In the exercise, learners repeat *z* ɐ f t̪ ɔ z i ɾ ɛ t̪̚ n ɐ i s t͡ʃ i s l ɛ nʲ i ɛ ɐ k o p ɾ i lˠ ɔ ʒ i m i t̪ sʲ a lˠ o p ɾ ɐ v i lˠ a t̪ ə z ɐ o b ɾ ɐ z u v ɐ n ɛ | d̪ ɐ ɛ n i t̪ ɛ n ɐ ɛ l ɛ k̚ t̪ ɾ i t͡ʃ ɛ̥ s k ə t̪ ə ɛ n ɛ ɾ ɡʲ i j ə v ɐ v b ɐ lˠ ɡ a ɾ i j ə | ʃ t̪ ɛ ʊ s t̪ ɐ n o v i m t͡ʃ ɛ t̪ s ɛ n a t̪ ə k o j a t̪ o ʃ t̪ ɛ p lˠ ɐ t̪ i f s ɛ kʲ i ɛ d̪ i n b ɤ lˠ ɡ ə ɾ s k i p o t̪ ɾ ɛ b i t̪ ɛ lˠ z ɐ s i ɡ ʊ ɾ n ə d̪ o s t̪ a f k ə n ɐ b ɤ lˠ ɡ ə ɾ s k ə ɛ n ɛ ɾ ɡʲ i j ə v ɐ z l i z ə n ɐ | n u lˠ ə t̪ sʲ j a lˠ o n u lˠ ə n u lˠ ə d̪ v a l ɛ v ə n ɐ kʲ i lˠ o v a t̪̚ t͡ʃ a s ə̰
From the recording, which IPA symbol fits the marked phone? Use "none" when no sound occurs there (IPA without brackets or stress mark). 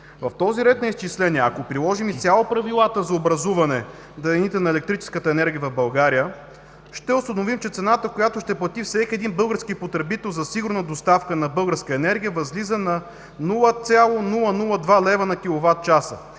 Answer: v